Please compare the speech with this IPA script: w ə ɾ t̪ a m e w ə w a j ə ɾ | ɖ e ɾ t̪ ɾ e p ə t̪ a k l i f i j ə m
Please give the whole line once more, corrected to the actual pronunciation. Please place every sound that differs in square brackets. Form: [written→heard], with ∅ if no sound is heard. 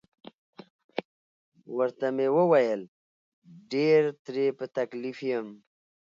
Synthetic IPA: w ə ɾ t̪ a m e w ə w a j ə [ɾ→l] | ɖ e ɾ t̪ ɾ e p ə t̪ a k l i f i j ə m

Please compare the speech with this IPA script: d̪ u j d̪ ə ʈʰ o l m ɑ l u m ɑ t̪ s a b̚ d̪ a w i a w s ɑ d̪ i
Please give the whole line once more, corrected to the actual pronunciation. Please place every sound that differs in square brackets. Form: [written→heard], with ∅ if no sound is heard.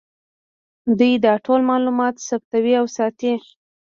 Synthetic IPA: d̪ u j d̪ [ə→ɑ] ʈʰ o l m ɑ l u m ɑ t̪ s a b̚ [d̪→t̪] a w i a w s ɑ [d̪→t̪] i

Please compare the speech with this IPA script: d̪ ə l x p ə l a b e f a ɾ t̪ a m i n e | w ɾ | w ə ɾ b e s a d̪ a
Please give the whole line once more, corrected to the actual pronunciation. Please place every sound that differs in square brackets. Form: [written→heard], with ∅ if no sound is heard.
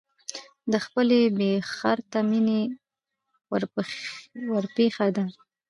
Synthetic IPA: d̪ ə [l→∅] x p ə l [a→e] b e [f→x] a ɾ t̪ a m i n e | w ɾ | w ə ɾ [b→p] e [s→x] a d̪ a

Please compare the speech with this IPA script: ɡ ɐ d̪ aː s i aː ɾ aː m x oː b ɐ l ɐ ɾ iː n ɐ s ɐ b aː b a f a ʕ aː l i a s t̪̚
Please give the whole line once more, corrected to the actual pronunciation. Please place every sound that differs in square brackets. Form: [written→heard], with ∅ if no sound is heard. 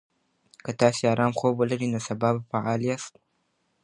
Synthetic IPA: [ɡ→k] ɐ [d̪→t̪] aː s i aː ɾ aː m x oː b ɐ l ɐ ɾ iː n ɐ s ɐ b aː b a f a ʕ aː l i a s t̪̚

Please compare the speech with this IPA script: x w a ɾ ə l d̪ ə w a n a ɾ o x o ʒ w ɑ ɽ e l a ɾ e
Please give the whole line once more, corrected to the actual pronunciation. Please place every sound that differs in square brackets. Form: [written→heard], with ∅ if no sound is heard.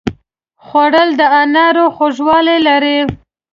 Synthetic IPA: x w a [ɾ→ɽ] ə l d̪ ə [w→∅] a n a ɾ o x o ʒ w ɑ [ɽ→l] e l a ɾ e

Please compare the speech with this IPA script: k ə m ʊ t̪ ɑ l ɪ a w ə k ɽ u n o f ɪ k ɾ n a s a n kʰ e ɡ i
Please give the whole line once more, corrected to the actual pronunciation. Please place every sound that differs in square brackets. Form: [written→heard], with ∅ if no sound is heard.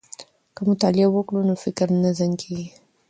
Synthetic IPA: k ə m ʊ t̪ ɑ l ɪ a w ə k ɽ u n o f ɪ k ɾ n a [s→z] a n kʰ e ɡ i

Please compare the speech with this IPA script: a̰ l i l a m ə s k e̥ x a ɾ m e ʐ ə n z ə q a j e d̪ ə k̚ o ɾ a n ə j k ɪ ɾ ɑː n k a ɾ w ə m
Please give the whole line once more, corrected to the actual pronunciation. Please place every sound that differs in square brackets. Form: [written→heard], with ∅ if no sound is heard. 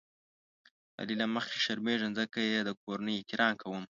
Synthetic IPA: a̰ l i l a m ə [s→x] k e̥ [x→ʃ] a ɾ m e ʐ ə n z ə [q→k] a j e d̪ ə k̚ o ɾ a n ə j k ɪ ɾ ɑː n k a [ɾ→∅] w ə m

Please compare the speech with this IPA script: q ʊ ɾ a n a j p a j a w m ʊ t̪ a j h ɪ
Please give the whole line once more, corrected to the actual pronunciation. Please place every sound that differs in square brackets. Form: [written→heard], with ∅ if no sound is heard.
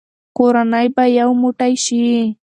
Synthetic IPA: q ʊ ɾ a n a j p a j a w m ʊ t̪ a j [h→ʃ] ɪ

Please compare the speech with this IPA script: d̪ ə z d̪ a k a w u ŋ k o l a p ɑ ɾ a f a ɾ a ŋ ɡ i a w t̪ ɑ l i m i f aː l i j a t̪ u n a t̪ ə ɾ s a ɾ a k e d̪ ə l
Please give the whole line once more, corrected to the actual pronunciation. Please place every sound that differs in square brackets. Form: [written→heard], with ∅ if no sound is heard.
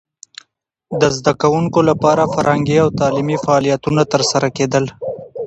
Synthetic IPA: d̪ ə z d̪ a k a w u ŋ k o l a p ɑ ɾ a f a ɾ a ŋ ɡ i a w t̪ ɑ l i m i f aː l i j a t̪ u n a t̪ ə ɾ s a ɾ a k e d̪ ə l

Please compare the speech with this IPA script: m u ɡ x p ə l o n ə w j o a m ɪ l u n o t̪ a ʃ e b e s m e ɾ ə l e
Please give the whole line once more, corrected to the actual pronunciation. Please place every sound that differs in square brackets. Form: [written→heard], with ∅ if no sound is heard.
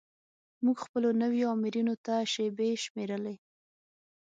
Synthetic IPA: m u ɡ x p ə l o n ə w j o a m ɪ [l→ɾ] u n o t̪ a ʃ e b e [s→ʃ] m e ɾ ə l e

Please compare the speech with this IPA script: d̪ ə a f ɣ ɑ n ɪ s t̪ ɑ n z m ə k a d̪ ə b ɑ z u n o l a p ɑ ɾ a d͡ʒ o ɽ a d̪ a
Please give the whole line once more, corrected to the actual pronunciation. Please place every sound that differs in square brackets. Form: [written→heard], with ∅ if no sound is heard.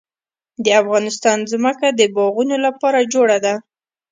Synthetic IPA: d̪ ə a f ɣ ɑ n ɪ s t̪ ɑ n z m ə k a d̪ ə b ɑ [z→ɣ] u n o l a p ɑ ɾ a d͡ʒ o ɽ a d̪ a

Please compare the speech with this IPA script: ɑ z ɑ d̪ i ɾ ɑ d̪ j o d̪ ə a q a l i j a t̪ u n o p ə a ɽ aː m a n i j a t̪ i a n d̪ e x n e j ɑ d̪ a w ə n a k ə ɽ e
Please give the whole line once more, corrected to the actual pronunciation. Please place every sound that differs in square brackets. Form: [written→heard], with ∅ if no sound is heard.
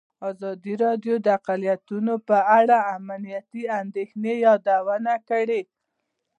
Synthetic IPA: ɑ z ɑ d̪ i ɾ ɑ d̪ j o d̪ ə a q a l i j a t̪ u n o p ə a ɽ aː m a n i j a t̪ i a n d̪ e x n e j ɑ d̪ a w ə n a k ə ɽ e

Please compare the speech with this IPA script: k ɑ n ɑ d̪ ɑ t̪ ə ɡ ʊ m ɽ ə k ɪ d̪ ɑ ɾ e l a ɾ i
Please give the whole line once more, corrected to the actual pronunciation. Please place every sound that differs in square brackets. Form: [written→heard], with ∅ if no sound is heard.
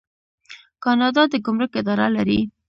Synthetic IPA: k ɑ n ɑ d̪ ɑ [t̪→d̪] ə ɡ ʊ m [ɽ→ɾ] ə k ɪ d̪ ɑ ɾ [e→a] l a ɾ i

